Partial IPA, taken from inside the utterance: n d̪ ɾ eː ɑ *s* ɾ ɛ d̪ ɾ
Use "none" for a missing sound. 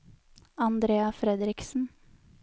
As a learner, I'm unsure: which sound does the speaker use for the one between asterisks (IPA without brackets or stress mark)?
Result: f